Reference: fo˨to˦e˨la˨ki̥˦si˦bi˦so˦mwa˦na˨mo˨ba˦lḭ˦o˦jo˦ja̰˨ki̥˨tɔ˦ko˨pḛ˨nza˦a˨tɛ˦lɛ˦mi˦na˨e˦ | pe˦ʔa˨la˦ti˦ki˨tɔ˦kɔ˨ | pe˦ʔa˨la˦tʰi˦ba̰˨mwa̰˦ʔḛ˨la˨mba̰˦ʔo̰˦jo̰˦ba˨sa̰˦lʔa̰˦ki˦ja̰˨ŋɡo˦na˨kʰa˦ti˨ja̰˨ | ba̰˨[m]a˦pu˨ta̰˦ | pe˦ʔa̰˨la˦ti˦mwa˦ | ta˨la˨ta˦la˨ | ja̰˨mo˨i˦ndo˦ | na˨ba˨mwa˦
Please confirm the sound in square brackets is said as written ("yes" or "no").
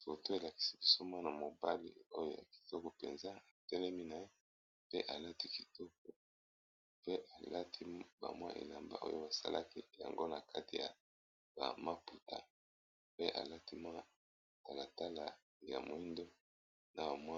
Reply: yes